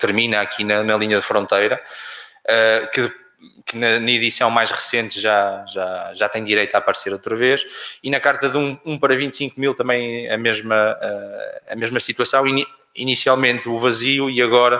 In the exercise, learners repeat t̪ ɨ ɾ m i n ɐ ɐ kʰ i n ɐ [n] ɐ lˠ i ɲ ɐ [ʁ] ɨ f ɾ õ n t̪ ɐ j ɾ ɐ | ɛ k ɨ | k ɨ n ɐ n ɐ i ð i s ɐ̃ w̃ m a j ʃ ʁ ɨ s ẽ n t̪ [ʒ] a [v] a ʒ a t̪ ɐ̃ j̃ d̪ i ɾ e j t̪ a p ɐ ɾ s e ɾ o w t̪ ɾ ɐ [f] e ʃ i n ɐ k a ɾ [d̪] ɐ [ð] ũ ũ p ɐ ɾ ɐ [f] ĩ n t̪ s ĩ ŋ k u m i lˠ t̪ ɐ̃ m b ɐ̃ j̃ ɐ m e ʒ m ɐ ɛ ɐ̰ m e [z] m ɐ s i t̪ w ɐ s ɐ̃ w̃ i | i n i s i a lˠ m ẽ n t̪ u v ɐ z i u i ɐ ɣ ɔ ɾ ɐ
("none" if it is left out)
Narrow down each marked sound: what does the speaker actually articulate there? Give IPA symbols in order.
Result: n, ð, ʒ, ʒ, v, t̪, ð, v, ʒ

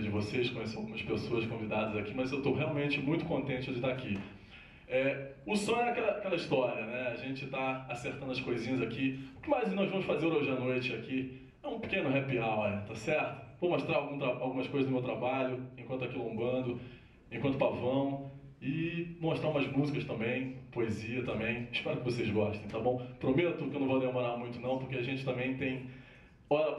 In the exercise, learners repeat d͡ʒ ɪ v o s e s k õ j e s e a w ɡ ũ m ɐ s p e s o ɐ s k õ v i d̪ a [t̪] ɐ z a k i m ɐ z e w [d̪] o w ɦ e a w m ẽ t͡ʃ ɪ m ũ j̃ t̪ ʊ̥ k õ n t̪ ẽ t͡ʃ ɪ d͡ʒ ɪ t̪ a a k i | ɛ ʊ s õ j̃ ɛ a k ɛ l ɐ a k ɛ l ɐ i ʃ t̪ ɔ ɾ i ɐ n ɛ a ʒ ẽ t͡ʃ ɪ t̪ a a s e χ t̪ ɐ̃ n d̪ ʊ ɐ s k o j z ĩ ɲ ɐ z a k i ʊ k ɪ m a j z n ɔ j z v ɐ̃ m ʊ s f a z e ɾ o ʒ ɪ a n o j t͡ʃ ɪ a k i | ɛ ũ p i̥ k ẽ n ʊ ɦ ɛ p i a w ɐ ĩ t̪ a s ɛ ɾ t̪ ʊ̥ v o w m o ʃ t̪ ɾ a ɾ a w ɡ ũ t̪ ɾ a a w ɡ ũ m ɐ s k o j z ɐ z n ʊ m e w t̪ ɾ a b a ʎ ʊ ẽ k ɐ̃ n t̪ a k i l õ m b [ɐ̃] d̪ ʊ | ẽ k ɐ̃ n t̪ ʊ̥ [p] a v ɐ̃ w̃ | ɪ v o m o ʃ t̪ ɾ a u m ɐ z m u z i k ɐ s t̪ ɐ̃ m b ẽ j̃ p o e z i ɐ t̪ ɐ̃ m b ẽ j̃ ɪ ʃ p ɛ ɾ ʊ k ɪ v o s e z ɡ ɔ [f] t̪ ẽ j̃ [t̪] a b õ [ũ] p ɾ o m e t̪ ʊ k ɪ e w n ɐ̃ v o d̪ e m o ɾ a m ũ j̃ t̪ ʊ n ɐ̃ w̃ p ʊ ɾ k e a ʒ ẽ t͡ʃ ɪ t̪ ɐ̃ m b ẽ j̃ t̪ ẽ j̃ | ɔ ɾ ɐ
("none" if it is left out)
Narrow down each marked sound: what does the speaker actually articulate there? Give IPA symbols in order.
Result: d̪, t̪, ɐ̃, p, ʃ, t̪, w̃

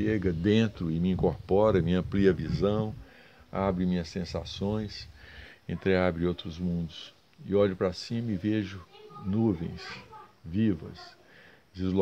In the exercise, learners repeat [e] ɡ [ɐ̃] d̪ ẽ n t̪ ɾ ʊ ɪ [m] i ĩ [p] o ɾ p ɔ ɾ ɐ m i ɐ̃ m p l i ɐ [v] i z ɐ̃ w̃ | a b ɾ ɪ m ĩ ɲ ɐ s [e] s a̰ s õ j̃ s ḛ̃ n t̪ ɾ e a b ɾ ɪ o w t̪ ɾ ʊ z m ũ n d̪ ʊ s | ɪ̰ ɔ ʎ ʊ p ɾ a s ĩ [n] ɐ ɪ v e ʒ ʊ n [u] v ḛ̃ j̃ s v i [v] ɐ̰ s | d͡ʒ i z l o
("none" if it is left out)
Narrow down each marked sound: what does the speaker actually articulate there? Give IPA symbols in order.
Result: e, ɐ, m, k, v, ẽ, m, u, v

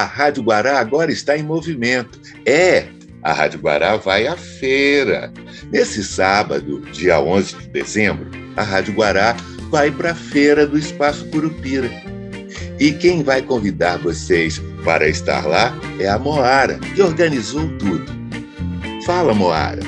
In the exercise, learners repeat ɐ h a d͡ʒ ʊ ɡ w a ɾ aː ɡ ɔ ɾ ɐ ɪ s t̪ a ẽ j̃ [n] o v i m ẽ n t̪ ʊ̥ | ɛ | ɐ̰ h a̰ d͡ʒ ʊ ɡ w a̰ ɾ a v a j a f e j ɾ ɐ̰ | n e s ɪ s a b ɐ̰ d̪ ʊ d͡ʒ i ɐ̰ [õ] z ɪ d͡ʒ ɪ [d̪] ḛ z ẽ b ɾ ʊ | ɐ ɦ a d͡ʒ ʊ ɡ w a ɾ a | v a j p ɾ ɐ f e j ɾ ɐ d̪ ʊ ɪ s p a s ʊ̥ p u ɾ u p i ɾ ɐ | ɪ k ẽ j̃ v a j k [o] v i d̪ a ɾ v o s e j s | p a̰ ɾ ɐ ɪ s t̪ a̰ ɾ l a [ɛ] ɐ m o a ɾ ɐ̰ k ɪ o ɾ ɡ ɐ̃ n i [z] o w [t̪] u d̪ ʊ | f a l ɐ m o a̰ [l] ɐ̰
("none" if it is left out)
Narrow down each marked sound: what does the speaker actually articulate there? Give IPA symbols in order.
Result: m, õ, d̪, õ, ɛ, z, t̪, ɾ

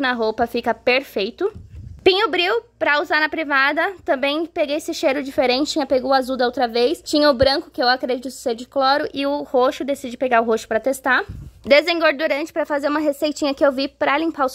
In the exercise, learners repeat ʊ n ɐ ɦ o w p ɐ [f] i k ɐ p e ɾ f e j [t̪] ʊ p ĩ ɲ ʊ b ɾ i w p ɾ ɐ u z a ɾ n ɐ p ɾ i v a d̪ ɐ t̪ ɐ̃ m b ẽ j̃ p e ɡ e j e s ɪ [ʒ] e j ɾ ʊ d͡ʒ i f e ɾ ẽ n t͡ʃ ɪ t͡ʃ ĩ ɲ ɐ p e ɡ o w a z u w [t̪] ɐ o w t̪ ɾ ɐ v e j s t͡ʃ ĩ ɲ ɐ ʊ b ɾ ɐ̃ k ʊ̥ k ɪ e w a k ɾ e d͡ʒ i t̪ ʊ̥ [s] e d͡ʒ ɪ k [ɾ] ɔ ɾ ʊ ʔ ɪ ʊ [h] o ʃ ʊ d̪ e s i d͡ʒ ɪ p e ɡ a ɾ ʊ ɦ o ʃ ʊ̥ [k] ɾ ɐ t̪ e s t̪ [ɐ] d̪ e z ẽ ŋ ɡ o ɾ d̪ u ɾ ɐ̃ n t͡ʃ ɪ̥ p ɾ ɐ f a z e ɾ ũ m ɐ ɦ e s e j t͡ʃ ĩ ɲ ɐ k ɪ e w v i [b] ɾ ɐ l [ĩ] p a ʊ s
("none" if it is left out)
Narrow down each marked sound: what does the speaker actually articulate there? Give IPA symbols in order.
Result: f, t̪, ʃ, d̪, s, l, h, p, a, p, ĩ

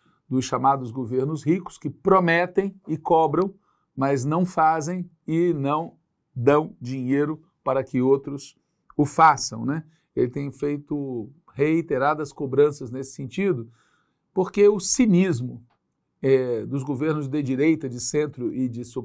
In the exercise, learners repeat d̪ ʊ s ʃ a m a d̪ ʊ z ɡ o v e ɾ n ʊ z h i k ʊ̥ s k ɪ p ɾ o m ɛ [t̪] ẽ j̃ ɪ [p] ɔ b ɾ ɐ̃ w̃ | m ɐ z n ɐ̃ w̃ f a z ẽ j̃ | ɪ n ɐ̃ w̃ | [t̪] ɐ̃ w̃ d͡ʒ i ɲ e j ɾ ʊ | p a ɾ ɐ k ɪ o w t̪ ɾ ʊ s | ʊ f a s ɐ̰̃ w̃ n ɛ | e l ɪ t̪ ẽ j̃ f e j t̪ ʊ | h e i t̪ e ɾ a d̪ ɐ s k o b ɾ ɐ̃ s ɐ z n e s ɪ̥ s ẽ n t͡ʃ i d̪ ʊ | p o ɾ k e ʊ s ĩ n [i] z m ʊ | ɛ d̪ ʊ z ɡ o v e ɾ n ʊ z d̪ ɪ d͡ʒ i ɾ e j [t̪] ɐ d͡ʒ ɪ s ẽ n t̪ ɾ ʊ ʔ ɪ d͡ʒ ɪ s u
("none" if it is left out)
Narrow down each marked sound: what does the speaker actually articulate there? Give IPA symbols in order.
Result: t̪, k, d̪, i, t̪

